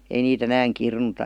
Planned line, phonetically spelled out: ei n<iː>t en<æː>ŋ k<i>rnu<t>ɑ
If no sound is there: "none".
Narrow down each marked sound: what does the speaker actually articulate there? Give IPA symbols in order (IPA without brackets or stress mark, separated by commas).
iː, æː, i, t